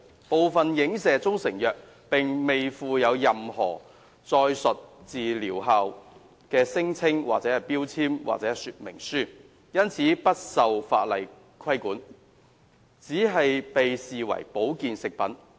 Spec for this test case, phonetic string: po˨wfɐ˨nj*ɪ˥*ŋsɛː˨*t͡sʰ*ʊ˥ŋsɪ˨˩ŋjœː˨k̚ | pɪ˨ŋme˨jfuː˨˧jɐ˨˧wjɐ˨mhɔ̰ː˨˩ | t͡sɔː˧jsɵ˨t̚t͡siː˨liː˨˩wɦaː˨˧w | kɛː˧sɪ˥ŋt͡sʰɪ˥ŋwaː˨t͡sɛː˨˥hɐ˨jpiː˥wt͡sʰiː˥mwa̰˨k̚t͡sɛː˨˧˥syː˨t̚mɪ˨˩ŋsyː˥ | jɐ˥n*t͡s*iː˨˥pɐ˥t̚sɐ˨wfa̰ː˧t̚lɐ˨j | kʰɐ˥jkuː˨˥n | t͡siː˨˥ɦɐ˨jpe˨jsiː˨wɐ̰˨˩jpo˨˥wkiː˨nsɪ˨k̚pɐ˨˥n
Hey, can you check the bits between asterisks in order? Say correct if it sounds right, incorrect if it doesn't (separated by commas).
incorrect, incorrect, incorrect